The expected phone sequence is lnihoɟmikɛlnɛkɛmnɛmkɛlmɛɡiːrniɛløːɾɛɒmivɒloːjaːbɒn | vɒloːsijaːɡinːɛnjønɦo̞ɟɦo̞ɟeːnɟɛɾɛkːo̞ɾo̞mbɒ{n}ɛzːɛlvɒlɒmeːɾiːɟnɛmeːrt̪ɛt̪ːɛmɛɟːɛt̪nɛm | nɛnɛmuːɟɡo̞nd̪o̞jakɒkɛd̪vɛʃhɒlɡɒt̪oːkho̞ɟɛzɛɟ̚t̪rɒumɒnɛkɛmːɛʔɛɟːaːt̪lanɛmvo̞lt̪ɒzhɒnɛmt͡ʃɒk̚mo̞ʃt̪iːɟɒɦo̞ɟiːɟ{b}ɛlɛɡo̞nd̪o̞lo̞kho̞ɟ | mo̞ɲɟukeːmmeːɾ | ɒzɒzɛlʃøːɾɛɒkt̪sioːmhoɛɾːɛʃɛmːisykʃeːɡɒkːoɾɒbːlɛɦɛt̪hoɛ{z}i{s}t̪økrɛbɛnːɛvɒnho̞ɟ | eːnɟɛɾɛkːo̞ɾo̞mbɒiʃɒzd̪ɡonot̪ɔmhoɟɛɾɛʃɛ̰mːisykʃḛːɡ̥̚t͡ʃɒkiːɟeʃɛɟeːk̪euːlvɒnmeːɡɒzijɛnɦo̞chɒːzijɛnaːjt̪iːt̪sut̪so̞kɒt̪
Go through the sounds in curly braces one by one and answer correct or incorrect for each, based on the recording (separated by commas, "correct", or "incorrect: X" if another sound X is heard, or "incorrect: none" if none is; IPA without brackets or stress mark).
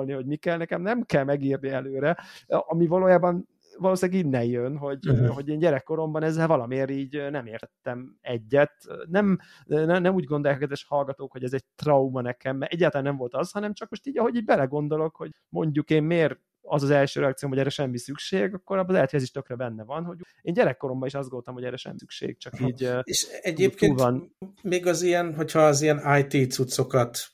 correct, correct, correct, incorrect: ʃ